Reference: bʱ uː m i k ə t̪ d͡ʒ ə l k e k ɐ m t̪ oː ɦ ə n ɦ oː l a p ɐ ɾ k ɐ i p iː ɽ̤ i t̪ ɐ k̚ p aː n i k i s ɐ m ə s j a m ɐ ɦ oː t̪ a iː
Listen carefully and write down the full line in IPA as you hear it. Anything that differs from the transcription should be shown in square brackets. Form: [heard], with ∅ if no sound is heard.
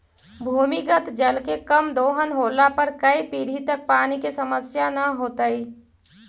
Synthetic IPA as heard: bʱ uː m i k ə t̪ d͡ʒ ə l k e k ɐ m [d̪] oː ɦ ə n ɦ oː l a p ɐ ɾ k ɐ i p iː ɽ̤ i t̪ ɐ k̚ p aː n i k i s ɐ m ə s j a [n] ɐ ɦ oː t̪ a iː